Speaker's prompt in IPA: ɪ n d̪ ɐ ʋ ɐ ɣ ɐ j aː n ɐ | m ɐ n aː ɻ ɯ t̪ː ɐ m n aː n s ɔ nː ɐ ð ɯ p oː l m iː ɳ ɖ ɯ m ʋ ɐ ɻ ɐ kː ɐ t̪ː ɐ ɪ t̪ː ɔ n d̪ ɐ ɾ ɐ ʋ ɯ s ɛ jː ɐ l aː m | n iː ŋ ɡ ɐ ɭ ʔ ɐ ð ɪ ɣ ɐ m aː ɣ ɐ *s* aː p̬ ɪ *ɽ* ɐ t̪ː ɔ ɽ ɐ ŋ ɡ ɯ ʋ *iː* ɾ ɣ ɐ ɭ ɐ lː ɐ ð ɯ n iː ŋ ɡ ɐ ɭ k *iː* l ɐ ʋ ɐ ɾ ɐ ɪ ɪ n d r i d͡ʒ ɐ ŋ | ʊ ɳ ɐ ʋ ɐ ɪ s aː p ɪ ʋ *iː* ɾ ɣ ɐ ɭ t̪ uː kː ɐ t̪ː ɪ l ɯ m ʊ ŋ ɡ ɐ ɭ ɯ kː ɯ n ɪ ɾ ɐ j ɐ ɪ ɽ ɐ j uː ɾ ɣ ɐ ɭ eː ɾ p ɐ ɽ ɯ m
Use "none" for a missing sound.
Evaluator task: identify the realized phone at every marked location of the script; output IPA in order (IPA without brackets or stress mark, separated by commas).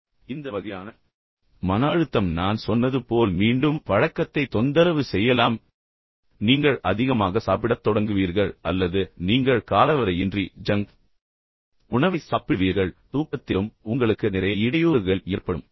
s, ɽ, iː, aː, iː